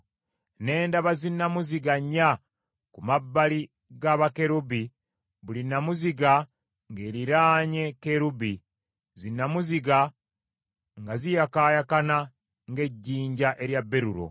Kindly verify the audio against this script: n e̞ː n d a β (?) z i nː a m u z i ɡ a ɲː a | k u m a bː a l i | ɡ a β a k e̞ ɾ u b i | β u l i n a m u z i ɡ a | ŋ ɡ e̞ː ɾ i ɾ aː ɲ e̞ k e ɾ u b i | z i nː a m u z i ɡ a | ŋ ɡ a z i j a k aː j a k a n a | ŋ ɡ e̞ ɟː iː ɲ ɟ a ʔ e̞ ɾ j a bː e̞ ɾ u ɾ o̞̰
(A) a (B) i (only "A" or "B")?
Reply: A